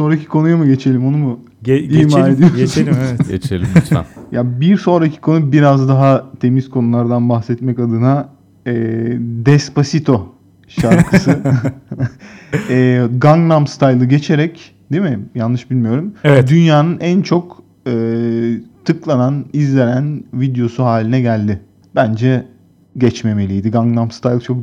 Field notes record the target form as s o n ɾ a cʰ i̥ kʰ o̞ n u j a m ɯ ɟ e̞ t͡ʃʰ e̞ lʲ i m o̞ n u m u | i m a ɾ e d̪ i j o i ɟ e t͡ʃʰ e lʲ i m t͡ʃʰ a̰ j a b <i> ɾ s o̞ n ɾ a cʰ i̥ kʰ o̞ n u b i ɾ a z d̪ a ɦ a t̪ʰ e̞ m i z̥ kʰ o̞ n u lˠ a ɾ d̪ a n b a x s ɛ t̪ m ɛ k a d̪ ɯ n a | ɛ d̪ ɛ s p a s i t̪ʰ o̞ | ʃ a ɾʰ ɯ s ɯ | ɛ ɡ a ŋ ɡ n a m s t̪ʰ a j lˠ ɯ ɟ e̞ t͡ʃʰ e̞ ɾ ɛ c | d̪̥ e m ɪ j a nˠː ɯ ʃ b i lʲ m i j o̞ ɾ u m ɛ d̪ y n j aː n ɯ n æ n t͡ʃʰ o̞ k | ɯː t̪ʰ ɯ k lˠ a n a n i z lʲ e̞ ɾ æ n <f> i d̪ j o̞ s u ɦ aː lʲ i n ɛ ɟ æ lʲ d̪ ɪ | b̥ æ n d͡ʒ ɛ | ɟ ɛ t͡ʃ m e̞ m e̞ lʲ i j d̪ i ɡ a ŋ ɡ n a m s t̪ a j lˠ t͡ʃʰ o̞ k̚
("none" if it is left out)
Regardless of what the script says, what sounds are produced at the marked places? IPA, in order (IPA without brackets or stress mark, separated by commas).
i, v